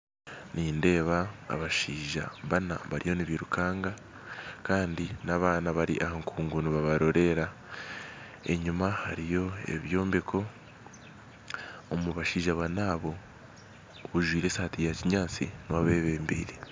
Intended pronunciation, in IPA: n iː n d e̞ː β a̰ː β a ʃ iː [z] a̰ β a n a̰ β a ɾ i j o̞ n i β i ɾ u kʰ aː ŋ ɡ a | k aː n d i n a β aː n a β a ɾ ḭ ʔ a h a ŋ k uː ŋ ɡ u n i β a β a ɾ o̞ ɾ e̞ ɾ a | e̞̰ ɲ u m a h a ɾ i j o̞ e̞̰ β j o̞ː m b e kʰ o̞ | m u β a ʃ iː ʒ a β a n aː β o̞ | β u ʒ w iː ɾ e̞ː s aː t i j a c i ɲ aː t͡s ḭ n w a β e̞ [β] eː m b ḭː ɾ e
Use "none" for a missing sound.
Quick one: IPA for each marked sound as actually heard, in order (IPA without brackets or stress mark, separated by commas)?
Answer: ʒ, β